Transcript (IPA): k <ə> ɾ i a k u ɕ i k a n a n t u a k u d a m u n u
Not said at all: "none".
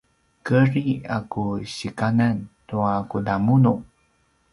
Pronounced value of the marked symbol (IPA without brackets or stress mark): ə